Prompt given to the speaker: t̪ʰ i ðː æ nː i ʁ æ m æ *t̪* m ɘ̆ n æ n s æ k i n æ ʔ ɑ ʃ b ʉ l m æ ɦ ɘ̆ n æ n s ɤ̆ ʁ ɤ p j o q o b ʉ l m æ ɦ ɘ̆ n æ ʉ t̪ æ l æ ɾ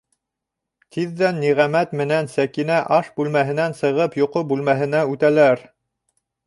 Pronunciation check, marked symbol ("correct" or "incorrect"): correct